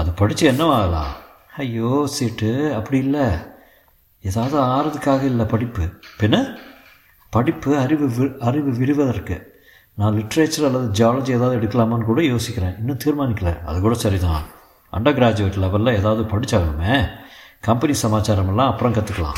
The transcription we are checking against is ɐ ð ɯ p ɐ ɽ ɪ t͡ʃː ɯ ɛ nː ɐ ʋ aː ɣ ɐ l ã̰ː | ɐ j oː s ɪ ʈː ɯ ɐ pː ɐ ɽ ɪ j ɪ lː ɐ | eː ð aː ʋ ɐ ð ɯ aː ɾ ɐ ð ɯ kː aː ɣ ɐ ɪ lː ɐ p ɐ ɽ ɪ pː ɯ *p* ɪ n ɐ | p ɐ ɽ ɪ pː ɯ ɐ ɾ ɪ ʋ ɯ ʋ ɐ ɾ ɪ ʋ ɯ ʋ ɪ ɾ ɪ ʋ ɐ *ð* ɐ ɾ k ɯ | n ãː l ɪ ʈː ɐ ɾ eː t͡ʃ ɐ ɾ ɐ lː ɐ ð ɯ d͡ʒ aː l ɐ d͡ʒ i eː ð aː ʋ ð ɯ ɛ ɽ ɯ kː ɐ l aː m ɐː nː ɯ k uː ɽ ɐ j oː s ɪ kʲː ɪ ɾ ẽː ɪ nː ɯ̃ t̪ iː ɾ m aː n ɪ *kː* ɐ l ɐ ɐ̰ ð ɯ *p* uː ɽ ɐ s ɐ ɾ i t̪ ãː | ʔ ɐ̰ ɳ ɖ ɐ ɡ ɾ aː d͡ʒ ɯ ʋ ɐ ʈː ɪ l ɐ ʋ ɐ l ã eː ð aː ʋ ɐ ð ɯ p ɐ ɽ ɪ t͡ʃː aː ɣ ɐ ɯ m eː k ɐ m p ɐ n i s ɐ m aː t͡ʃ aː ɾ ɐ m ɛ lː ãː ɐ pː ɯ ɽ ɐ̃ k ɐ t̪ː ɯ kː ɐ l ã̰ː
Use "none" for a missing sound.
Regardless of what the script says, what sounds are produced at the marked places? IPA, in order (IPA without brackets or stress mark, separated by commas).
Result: p, ð, kː, k